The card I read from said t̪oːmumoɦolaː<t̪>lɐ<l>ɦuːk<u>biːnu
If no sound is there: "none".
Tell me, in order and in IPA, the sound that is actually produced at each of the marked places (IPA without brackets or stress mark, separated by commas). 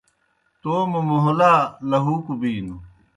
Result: none, none, u